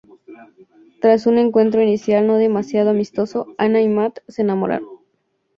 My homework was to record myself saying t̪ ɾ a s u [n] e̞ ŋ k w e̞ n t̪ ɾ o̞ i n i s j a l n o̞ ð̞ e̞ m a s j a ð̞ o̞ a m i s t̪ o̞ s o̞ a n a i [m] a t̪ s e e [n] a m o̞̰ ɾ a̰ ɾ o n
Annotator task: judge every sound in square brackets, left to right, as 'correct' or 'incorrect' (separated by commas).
correct, correct, correct